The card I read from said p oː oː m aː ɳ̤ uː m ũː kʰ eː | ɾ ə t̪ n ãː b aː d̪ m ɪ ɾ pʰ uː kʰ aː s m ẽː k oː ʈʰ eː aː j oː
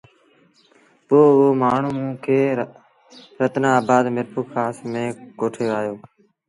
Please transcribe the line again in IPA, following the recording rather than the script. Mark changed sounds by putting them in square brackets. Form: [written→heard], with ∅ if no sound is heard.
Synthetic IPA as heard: p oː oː m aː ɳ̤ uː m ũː kʰ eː | ɾ ə t̪ n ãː b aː d̪ m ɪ ɾ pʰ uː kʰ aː s m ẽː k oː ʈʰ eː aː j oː